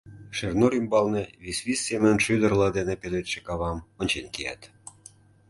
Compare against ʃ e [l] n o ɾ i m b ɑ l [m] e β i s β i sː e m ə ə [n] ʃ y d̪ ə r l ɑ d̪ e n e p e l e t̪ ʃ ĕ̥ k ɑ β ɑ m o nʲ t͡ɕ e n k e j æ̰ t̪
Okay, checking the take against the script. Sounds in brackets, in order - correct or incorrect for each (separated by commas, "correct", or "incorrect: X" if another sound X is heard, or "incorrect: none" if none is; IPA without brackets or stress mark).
incorrect: r, incorrect: n, correct